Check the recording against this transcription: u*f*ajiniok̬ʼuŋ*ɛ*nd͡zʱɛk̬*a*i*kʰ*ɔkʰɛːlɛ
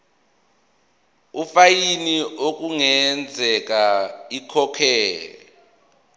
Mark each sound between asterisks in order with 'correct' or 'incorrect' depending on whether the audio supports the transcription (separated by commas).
correct, correct, correct, correct